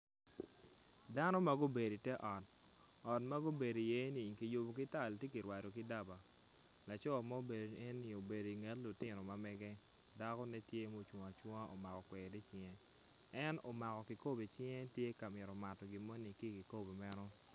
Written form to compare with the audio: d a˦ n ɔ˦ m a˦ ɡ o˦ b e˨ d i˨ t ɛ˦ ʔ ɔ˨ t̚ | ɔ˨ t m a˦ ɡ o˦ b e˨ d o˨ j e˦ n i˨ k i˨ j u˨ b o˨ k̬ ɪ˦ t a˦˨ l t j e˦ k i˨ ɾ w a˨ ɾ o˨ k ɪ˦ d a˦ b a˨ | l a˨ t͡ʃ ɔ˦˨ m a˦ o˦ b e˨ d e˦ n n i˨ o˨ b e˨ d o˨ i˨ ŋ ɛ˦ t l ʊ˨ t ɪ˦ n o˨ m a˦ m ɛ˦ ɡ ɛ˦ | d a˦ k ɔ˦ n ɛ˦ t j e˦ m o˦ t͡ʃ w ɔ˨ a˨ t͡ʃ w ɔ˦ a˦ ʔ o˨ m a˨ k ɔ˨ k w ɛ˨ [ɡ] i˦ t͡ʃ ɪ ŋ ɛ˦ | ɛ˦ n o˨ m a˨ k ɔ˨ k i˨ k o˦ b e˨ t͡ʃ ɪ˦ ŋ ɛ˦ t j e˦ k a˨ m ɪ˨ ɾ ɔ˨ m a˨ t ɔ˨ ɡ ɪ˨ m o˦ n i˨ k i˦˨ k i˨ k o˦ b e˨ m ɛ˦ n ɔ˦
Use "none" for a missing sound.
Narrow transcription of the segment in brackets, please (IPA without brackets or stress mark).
d